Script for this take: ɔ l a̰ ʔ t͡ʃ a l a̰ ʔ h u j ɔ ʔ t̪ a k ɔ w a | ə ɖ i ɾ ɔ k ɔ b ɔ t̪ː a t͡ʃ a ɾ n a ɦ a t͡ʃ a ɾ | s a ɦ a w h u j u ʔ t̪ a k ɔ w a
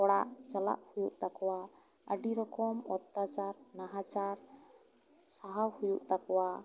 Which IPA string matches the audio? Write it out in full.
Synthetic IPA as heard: ɔ ɽ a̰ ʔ t͡ʃ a l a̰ ʔ h u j u ʔ t̪ a k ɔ w a | ə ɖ i ɾ ɔ k ɔ m ɔ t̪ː a t͡ʃ a ɾ n a ɦ a t͡ʃ a ɾ | s a ɦ a w h u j u ʔ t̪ a k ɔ w a